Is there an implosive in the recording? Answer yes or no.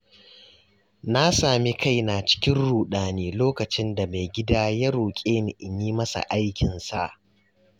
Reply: yes